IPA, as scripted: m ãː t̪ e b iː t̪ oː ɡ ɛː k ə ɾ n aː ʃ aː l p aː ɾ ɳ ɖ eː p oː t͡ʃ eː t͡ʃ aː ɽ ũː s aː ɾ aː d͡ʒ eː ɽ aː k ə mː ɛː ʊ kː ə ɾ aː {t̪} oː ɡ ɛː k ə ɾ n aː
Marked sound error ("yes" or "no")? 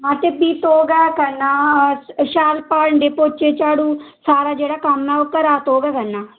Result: no